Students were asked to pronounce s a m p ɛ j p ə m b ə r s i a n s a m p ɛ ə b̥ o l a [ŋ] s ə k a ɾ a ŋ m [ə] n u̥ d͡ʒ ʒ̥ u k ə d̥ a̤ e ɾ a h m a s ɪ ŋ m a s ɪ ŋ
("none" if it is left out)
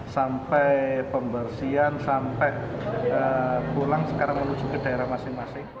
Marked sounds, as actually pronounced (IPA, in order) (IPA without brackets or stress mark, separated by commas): ŋ, ə